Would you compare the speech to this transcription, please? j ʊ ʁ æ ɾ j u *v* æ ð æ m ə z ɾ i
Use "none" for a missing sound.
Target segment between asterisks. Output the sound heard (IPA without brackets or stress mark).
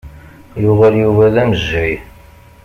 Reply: v